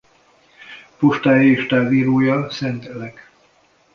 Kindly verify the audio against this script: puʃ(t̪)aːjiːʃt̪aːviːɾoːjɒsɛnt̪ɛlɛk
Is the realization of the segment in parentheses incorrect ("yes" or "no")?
no